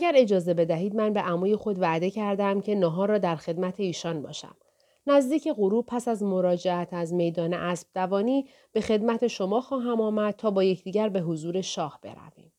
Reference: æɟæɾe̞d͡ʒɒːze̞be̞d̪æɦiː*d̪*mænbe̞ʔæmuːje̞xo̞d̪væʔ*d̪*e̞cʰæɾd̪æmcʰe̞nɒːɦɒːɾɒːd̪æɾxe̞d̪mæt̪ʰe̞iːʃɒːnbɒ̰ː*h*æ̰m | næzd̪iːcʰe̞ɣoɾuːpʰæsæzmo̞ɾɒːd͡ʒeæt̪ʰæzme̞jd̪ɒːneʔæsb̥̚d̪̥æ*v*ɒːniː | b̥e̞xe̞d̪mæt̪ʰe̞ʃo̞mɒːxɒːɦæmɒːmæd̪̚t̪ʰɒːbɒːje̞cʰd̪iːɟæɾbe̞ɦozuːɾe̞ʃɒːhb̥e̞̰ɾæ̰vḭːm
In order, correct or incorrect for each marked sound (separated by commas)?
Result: correct, correct, incorrect, correct